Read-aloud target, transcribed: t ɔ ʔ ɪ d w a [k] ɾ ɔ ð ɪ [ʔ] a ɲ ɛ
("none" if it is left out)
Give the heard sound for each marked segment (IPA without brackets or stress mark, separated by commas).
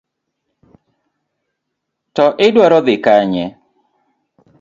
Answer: none, k